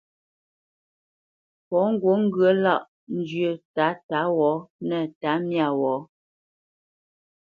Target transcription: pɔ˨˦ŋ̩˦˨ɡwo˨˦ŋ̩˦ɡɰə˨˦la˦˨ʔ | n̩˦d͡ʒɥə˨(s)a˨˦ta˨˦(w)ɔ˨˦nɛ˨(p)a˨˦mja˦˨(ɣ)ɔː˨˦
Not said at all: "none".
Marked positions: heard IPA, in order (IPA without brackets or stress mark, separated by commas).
t, w, t, w